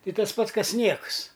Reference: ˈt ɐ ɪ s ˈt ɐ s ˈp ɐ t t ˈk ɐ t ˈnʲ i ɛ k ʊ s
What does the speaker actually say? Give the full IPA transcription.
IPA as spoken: ˈt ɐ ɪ ˈt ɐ s ˈp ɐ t s ˈk ɐ s ˈnʲ i ɛ k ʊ s